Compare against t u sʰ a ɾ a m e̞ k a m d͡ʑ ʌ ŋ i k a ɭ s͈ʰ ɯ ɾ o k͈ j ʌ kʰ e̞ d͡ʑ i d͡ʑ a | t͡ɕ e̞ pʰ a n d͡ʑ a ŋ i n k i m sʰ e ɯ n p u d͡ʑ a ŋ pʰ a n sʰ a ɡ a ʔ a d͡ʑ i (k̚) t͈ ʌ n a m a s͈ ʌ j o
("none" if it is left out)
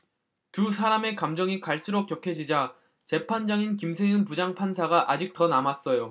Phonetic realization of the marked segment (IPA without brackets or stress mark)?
k̚